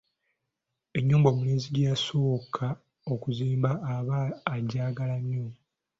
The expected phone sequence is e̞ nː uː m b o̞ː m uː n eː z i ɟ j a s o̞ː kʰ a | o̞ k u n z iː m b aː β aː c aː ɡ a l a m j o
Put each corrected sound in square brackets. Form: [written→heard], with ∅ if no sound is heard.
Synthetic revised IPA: e̞ [nː→ɲː] uː m b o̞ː m [uː→u] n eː z i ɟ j a s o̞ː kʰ a | o̞ k u [n→∅] z iː m b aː β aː [c→ɟ] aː ɡ a l a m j o